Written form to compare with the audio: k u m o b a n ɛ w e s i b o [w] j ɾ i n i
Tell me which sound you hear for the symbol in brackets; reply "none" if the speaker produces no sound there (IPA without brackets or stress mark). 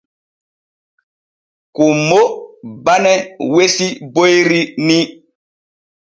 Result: none